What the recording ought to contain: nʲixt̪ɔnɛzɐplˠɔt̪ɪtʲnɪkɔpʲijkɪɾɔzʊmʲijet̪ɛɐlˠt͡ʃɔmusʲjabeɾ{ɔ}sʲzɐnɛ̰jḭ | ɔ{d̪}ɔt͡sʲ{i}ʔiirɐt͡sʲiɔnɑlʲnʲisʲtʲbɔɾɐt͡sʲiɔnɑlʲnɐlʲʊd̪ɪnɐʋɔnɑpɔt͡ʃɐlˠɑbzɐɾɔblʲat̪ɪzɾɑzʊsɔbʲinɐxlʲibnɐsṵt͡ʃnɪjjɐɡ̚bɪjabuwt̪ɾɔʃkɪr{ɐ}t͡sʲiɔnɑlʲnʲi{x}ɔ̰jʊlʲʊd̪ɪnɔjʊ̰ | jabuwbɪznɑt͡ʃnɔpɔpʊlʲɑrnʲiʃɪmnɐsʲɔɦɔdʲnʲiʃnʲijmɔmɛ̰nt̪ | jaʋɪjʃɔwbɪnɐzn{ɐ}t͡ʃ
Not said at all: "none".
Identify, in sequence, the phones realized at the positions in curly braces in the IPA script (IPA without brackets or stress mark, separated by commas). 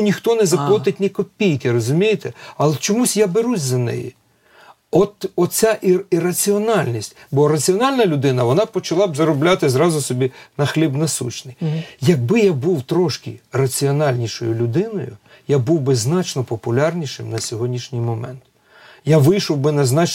u, t̪, a, ɐ, ʃ, ɑ